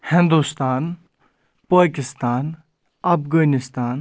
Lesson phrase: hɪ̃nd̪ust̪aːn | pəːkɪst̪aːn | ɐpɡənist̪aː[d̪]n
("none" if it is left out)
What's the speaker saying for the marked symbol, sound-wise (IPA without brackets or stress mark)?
none